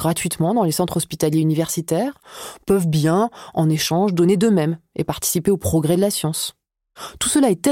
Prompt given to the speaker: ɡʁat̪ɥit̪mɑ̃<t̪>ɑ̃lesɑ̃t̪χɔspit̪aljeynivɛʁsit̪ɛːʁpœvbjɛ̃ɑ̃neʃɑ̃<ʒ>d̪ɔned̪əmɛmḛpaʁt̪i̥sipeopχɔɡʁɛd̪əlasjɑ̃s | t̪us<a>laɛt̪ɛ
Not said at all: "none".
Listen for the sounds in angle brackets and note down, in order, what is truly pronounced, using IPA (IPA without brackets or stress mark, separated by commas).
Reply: d̪, ʒ, ə